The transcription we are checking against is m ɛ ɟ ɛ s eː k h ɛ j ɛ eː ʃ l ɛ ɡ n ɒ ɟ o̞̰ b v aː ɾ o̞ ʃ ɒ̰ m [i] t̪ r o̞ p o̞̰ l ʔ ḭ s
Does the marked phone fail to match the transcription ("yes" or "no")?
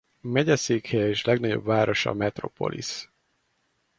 yes